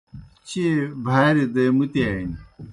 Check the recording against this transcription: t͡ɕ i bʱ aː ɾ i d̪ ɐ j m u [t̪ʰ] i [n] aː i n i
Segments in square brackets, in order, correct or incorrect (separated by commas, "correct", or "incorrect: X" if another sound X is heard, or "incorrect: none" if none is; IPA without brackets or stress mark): incorrect: t̪, incorrect: none